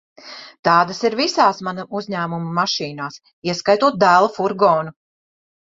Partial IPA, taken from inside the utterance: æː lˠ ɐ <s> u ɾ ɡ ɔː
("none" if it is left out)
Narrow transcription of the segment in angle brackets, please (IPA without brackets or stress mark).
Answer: f